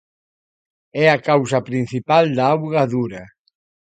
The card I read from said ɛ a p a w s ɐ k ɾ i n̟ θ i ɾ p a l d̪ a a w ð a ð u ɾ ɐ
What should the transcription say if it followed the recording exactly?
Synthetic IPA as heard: ɛ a k a w s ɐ p ɾ i n̟ θ i p a l d̪ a a w ɣ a ð u ɾ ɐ